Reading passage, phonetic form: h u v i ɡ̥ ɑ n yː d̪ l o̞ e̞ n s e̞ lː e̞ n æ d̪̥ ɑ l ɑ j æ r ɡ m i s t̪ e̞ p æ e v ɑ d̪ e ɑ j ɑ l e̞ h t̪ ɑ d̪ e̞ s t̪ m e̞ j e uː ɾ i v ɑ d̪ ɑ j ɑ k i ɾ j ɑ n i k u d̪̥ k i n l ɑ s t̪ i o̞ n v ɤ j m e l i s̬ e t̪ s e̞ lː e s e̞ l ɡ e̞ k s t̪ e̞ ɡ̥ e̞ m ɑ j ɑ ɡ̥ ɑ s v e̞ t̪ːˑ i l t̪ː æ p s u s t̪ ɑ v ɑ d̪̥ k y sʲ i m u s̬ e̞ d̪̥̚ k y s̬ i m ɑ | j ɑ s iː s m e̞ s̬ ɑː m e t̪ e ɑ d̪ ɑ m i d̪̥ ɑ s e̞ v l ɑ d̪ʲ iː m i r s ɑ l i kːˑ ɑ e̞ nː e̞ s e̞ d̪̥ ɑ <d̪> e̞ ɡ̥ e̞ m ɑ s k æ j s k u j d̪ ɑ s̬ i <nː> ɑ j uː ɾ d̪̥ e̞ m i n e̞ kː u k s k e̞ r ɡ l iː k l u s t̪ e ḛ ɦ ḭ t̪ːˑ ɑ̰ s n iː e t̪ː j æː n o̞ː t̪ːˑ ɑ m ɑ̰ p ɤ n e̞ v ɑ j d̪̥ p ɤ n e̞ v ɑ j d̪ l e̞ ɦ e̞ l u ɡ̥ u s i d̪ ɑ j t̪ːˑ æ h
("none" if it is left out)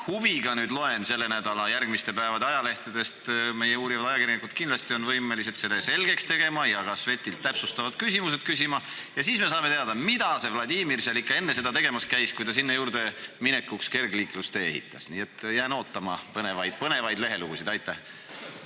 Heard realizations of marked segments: t̪, nː

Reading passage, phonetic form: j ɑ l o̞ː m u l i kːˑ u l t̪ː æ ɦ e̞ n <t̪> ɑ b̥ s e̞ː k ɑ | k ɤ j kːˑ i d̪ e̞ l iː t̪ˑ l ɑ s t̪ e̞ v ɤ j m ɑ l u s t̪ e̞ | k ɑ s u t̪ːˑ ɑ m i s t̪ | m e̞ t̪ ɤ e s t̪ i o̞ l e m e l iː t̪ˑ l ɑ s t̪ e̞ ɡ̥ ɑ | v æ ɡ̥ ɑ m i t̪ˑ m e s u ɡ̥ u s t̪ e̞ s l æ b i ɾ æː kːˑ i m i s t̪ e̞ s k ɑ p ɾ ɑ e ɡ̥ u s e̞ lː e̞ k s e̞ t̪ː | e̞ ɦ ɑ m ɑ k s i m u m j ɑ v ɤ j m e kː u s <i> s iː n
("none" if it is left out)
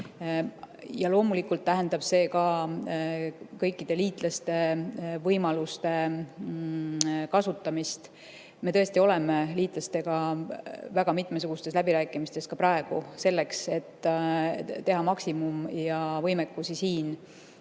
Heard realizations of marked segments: d̪, i

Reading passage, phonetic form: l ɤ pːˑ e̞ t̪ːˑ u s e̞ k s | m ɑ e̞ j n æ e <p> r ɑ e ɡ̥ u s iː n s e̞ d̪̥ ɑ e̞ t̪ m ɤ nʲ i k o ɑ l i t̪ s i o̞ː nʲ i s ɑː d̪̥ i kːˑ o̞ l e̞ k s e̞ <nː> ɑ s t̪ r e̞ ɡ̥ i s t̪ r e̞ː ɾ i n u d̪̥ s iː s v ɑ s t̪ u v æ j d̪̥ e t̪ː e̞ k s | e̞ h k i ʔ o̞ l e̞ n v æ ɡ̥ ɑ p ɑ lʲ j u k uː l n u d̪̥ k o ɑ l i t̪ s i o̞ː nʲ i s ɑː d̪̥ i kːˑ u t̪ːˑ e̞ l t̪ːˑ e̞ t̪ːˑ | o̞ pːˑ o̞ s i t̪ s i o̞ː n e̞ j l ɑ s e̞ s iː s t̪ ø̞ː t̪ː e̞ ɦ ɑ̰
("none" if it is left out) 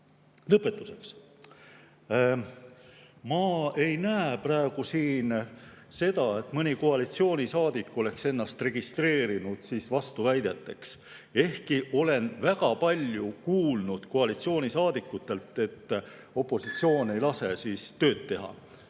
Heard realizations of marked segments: p, nː

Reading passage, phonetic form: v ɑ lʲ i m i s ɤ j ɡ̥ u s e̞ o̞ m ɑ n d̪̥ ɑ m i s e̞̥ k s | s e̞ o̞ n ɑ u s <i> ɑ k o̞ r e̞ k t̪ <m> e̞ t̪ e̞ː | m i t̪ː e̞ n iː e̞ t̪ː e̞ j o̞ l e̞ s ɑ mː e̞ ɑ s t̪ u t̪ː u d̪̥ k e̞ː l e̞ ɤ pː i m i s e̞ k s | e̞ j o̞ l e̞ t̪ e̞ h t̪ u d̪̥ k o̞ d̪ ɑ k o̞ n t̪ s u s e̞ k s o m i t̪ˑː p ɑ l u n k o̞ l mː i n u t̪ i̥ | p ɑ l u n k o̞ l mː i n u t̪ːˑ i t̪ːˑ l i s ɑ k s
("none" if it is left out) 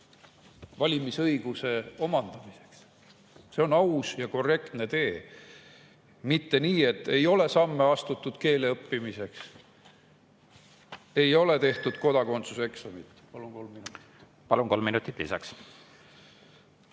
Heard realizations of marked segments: j, n

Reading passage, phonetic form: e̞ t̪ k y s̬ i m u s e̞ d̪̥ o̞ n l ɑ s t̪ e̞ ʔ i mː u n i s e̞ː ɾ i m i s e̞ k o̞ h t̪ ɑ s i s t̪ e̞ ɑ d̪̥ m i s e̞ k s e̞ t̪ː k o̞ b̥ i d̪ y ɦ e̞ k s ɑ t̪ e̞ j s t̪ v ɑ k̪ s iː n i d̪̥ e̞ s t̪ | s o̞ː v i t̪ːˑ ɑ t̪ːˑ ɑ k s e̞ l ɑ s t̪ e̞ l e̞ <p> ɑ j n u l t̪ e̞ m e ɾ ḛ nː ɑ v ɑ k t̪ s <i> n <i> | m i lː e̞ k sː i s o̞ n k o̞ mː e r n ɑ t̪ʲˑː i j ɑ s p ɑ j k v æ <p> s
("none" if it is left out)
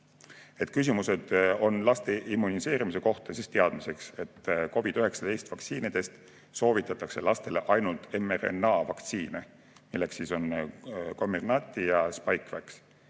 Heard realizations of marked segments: ʔ, iː, e, k

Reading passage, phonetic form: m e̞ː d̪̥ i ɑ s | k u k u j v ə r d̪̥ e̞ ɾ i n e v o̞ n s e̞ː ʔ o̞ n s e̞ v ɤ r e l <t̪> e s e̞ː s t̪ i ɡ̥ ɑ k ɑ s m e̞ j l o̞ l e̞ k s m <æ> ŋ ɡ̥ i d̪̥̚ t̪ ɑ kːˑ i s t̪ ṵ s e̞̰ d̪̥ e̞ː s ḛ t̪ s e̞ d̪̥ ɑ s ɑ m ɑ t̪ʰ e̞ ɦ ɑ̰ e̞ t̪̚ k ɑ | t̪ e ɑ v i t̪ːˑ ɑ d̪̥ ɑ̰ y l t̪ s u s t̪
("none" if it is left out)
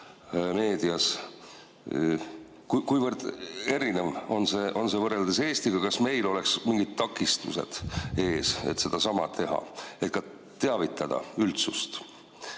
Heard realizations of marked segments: d̪, i

